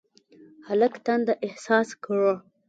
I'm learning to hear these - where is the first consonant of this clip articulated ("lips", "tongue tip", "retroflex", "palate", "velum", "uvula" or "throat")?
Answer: throat